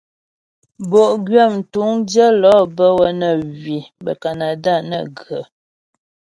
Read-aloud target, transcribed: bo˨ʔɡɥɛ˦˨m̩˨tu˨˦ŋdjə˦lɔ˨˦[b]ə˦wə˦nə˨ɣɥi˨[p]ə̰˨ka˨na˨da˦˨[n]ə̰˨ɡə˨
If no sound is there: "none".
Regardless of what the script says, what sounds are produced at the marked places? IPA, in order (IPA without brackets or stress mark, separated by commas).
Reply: b, b, n